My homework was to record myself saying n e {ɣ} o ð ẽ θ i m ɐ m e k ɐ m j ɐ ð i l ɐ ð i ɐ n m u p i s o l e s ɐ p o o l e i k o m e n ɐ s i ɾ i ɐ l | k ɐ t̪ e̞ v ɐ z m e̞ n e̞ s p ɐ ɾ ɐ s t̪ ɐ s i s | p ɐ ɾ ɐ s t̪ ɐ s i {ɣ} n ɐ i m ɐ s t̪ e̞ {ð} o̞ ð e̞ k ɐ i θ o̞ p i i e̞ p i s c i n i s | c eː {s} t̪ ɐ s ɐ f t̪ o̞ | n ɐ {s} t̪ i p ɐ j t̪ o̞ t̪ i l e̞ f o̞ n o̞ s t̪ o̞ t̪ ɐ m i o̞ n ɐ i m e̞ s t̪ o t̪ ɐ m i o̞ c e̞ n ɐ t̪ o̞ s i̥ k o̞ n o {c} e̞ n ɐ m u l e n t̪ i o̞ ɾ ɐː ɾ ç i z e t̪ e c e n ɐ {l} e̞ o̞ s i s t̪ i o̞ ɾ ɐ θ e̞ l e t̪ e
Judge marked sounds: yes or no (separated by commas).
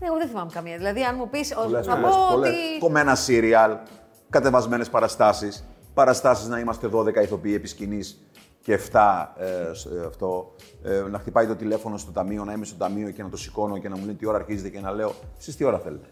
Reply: yes, no, yes, no, no, yes, yes